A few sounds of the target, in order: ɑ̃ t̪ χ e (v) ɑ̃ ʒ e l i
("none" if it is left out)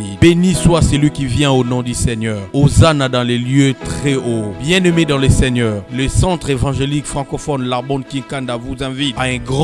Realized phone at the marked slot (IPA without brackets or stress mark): v